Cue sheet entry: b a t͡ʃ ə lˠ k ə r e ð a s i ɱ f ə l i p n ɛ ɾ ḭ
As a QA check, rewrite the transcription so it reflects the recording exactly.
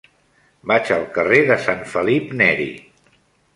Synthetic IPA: b a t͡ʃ ə lˠ k ə r e ð ə s a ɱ f ə l i p n ɛ ɾ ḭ